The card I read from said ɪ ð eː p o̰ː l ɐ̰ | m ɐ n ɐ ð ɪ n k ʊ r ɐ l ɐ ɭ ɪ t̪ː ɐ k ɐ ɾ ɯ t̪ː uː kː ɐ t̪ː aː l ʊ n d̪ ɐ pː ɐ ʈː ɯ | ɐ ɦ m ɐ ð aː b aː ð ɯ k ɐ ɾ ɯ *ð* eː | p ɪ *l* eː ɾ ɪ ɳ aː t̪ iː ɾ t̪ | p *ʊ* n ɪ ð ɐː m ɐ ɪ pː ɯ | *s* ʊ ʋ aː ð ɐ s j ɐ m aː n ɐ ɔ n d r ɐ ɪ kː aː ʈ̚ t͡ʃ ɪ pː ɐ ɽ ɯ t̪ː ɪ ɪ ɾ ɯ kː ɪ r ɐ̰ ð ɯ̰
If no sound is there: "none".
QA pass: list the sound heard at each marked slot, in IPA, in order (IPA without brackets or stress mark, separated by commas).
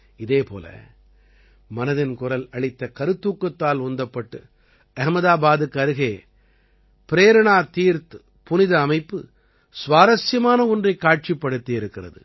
ɣ, ɾ, ʊ, s